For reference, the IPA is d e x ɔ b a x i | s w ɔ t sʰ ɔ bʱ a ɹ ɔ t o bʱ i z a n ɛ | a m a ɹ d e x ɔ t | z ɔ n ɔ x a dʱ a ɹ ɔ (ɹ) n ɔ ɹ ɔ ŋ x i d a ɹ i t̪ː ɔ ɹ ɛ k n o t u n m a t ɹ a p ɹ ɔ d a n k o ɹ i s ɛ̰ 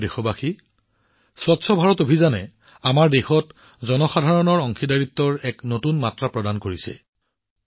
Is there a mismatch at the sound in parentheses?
yes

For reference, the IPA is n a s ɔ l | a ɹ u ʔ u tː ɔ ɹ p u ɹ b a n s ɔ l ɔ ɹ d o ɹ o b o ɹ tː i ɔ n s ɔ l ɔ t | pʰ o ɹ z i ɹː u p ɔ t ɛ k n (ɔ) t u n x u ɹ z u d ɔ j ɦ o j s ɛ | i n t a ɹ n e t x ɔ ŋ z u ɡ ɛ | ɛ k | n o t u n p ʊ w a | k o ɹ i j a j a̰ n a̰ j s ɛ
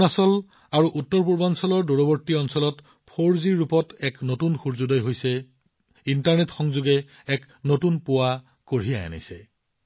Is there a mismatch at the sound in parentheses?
yes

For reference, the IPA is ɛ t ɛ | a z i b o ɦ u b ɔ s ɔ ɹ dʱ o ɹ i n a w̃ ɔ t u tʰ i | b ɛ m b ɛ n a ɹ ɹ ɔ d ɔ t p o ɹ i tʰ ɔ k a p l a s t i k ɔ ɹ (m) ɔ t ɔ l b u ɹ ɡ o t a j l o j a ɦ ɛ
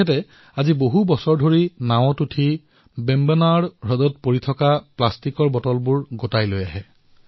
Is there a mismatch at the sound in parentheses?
yes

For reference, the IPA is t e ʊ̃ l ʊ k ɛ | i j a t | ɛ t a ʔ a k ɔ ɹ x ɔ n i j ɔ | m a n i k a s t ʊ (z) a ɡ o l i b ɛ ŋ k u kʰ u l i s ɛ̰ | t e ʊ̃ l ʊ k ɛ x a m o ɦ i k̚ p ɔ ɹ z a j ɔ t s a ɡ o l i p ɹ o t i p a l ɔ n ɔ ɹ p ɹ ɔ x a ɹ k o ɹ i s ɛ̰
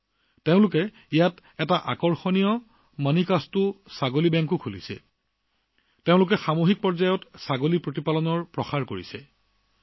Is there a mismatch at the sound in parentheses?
yes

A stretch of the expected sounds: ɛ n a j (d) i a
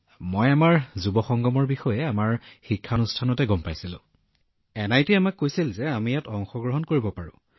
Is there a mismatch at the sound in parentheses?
yes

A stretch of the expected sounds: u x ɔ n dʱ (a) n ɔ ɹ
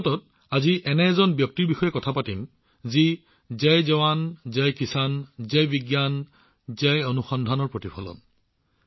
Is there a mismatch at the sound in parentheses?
no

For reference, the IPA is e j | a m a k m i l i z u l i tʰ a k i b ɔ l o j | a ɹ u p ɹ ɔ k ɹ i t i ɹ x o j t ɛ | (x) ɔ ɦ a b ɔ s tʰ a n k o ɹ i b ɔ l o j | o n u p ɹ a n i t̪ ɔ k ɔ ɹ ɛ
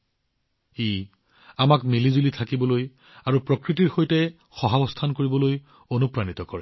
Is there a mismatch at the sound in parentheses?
no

